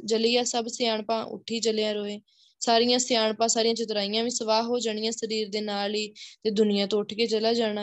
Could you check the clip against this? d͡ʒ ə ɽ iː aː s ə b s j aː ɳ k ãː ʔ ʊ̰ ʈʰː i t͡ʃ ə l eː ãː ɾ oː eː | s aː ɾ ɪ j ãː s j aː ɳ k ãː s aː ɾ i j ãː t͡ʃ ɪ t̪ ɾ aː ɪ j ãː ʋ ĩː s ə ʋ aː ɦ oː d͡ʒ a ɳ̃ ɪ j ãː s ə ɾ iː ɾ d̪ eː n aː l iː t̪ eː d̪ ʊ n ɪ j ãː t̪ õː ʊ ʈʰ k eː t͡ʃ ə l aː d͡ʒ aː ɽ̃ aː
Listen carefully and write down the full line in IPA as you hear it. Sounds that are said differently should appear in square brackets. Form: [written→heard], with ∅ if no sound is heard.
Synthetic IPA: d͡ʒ ə [ɽ→l] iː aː s ə b s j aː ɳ [k→p] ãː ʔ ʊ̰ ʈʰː [i→iː] t͡ʃ ə l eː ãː ɾ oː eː | s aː ɾ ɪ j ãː s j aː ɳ [k→p] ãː s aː ɾ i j ãː t͡ʃ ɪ t̪ ɾ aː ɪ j ãː ʋ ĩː s ə ʋ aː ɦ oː d͡ʒ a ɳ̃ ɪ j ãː s ə ɾ iː ɾ d̪ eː n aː l iː t̪ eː d̪ ʊ n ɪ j ãː t̪ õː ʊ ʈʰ k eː t͡ʃ ə l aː d͡ʒ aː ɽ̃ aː